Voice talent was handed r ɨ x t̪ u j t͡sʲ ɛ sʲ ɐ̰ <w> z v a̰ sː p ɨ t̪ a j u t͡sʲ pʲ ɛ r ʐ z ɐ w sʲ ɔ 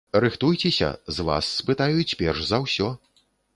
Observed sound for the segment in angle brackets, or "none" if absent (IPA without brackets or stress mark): none